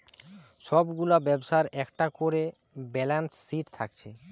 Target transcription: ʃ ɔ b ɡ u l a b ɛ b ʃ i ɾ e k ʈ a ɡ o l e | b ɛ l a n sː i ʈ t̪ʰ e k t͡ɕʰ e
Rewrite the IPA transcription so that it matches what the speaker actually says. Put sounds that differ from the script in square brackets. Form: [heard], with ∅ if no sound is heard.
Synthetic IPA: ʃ ɔ b ɡ u l a b ɛ b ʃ [a] ɾ [ɛ] k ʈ a [k] o [ɾ] e | b ɛ l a n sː i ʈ t̪ʰ [a] k t͡ɕʰ e